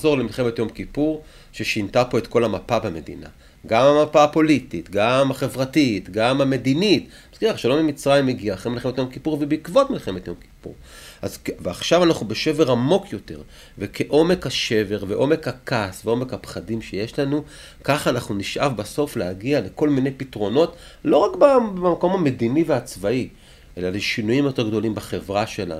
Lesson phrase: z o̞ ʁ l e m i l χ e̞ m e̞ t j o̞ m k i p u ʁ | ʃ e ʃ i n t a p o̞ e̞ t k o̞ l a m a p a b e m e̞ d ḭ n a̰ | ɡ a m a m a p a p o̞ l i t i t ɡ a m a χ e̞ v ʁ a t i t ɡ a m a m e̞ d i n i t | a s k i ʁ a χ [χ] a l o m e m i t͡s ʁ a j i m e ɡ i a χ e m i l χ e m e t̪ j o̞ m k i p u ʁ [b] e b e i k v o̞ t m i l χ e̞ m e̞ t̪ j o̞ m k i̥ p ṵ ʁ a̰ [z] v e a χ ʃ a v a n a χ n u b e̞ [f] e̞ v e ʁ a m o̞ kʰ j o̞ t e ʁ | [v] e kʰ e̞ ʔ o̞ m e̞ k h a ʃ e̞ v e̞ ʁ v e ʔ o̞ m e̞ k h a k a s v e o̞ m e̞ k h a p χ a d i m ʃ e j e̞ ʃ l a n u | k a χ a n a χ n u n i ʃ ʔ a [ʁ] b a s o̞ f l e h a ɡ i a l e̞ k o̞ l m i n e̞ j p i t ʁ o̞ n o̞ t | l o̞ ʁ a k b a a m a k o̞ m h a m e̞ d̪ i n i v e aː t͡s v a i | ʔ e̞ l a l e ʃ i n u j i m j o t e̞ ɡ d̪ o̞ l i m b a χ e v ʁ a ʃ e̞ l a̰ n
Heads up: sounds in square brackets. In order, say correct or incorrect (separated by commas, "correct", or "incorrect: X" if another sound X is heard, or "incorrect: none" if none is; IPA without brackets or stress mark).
incorrect: ʃ, incorrect: v, correct, incorrect: ʃ, correct, incorrect: v